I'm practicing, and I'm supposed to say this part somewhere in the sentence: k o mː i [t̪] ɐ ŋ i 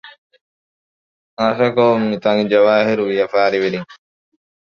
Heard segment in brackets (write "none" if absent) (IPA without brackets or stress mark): t̪